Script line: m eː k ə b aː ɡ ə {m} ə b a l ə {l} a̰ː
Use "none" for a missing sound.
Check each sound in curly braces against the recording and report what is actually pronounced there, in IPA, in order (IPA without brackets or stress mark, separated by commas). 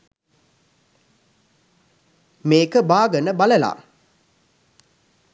n, l